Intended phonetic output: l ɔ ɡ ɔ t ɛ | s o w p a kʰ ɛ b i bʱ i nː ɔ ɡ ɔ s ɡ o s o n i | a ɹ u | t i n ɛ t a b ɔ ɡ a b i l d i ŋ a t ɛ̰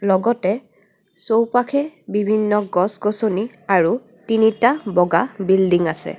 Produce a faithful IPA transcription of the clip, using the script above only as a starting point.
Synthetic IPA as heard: l ɔ ɡ ɔ t ɛ | s o w p a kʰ ɛ b i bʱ i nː ɔ ɡ ɔ s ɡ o s o n i | a ɹ u | t i n i t a b ɔ ɡ a b i l d i ŋ a s ɛ̰